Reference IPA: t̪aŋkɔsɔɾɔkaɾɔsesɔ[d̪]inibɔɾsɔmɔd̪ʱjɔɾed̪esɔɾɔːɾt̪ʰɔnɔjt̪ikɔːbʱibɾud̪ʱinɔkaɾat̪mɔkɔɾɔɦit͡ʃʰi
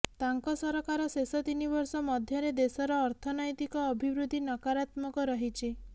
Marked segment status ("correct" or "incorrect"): incorrect